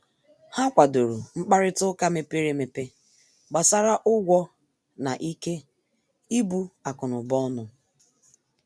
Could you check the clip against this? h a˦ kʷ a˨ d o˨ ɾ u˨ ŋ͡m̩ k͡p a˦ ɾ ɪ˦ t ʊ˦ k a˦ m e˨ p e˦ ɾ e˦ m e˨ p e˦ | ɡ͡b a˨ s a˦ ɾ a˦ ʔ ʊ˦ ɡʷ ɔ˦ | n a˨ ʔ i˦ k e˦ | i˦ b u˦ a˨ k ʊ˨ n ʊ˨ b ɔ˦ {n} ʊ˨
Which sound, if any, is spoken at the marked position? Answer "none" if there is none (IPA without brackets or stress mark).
n